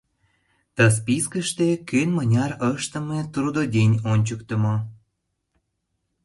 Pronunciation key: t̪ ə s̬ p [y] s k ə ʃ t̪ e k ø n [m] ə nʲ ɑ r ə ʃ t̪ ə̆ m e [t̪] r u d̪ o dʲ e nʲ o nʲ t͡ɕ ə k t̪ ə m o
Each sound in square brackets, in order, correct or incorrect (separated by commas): incorrect, correct, correct